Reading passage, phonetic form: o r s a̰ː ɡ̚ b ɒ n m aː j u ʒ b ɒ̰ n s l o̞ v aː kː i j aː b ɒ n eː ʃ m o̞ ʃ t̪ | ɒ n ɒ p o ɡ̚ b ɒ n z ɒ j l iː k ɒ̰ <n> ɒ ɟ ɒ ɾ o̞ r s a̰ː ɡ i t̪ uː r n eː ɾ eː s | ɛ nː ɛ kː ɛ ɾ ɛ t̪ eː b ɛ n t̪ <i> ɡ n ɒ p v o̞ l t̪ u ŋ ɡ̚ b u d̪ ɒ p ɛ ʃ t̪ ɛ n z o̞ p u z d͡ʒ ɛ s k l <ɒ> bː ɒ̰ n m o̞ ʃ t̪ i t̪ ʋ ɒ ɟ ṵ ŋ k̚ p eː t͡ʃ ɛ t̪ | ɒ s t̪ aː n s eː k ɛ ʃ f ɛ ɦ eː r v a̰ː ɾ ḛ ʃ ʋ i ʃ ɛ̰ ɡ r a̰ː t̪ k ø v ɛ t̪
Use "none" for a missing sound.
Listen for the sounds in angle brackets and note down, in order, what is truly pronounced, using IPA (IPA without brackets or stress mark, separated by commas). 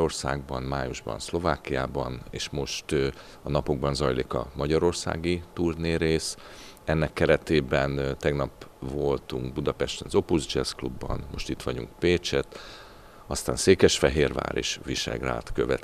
m, ɛ, u